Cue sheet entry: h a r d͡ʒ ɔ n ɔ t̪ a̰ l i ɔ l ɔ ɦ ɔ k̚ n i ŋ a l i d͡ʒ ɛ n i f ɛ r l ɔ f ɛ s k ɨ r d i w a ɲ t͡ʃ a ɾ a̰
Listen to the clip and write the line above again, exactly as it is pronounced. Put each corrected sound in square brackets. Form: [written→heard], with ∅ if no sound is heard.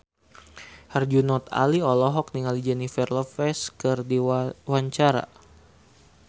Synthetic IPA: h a r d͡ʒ [ɔ→u] n ɔ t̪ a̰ l i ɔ l ɔ ɦ ɔ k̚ n i ŋ a l i d͡ʒ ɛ n i f ɛ r l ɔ f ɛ s k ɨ r d i w a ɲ t͡ʃ a ɾ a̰